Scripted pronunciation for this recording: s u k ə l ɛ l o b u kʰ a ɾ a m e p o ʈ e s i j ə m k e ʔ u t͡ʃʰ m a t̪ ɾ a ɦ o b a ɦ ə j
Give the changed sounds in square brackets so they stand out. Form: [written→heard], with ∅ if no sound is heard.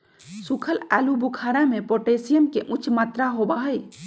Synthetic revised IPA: s u [k→kʰ] ə l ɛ l [o→u] b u kʰ a ɾ a m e p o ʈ e s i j ə m k e ʔ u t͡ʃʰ m a t̪ ɾ a ɦ o b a ɦ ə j

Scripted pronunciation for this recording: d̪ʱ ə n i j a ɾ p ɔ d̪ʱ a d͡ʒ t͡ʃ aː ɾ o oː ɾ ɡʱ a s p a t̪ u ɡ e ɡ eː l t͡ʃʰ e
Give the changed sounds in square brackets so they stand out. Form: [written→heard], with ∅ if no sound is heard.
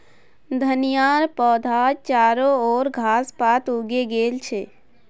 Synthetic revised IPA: d̪ʱ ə n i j a ɾ p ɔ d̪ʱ a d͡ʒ t͡ʃ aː ɾ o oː ɾ ɡʱ a s p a t̪ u ɡ e ɡ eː l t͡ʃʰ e

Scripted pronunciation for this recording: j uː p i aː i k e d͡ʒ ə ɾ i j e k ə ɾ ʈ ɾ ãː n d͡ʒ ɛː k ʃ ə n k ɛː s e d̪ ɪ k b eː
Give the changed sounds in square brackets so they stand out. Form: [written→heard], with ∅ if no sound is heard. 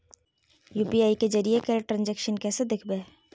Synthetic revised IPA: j uː p i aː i k e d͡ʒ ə ɾ i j e k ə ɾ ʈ ɾ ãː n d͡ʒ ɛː k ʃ ə n k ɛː s e d̪ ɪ [k→kʰ] b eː

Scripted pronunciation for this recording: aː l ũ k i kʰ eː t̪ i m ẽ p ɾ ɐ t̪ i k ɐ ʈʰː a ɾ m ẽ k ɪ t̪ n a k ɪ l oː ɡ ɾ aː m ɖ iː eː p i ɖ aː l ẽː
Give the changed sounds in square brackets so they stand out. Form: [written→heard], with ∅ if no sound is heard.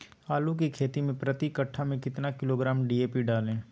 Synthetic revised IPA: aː l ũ k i kʰ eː t̪ i m ẽ p ɾ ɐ t̪ i k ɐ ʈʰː a [ɾ→∅] m ẽ k ɪ t̪ n a k ɪ l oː ɡ ɾ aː m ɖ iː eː p i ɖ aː l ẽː

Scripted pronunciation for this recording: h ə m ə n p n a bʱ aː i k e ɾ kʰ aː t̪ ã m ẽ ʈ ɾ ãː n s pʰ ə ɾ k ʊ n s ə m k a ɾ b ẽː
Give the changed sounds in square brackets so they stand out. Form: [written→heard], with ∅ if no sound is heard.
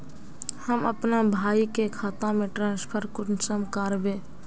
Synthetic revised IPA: h ə m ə [n→∅] p n a bʱ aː i k e [ɾ→∅] kʰ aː t̪ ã m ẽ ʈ ɾ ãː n s pʰ ə ɾ k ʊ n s ə m k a ɾ b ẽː

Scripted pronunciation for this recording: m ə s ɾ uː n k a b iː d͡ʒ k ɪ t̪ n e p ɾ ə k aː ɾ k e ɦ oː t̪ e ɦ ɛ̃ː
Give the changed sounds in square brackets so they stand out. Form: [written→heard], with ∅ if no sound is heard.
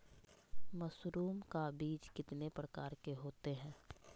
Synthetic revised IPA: m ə s ɾ uː [n→m] k a b iː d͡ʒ k ɪ t̪ n e p ɾ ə k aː ɾ k e ɦ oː t̪ e ɦ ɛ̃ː

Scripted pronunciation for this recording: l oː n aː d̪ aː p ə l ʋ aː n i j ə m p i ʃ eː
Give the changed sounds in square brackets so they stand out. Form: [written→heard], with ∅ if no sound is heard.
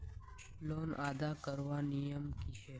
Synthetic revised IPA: l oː n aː d̪ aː [p→k] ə [l→ɾ] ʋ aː n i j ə m [p→k] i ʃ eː

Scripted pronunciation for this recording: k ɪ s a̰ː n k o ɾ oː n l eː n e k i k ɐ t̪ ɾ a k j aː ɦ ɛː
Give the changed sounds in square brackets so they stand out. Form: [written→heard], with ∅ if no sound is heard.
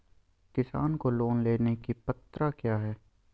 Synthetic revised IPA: k ɪ s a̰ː n k o [ɾ→l] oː n l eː n e k i [k→p] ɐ t̪ ɾ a k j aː ɦ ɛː

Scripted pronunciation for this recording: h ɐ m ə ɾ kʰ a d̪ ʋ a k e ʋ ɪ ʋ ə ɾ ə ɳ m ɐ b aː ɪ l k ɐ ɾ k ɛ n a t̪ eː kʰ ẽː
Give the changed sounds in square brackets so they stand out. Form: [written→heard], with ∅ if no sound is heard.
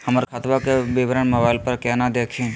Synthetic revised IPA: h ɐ m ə ɾ kʰ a [d̪→t̪] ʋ a k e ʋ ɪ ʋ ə ɾ ə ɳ m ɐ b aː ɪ l [k→p] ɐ ɾ k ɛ n a [t̪→d̪] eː kʰ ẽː

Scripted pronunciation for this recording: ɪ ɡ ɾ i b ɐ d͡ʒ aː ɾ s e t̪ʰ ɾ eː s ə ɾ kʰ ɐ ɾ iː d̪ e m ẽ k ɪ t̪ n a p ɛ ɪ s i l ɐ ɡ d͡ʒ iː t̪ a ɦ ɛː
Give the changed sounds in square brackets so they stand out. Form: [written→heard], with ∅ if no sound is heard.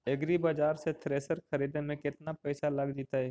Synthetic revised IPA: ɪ ɡ ɾ i b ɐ d͡ʒ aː ɾ s e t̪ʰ ɾ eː s ə ɾ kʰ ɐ ɾ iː d̪ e m ẽ k ɪ t̪ n a p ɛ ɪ s [i→a] l ɐ ɡ d͡ʒ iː t̪ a ɦ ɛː

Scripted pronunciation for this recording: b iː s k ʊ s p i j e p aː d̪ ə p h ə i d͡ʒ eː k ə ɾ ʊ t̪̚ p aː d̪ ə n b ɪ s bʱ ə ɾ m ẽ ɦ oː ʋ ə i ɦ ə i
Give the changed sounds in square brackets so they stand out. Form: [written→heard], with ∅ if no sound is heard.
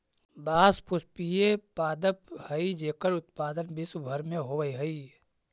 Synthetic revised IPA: b [iː→aː] s [k→p] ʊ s p i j e p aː d̪ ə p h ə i d͡ʒ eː k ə ɾ ʊ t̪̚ p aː d̪ ə n b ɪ s bʱ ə ɾ m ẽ ɦ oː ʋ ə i ɦ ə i

